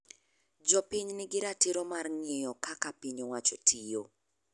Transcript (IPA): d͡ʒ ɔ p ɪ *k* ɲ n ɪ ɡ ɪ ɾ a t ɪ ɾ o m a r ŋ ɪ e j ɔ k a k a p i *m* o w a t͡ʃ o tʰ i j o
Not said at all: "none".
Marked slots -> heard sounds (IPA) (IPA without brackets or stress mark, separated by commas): none, ɲ